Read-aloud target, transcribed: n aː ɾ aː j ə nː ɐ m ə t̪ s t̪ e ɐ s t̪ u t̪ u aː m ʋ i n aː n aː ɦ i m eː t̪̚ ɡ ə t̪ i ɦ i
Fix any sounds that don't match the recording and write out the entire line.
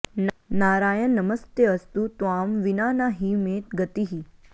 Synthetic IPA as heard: n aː ɾ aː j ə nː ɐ m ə s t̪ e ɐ s t̪ u t̪ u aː m ʋ i n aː n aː ɦ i m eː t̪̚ ɡ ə t̪ i ɦ i